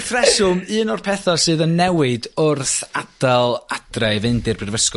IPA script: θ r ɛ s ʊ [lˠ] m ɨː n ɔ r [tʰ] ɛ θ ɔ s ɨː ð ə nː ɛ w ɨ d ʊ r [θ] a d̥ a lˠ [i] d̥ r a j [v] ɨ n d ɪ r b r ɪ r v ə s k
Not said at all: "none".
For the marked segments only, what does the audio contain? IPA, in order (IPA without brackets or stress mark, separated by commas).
none, pʰ, θ, a, v